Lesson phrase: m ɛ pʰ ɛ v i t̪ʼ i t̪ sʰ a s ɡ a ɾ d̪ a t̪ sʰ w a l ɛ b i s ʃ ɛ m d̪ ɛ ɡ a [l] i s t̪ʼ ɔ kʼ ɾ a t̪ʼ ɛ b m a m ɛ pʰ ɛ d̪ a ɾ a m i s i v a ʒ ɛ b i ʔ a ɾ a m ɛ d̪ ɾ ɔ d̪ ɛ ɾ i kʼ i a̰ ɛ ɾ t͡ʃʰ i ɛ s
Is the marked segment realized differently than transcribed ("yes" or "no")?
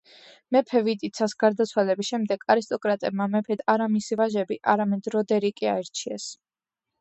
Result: yes